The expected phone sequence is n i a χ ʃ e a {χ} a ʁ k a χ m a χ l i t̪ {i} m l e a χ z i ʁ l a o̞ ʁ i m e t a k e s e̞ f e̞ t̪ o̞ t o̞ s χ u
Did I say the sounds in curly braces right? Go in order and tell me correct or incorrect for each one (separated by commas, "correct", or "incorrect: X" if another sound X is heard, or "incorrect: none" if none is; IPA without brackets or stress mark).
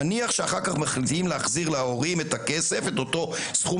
correct, correct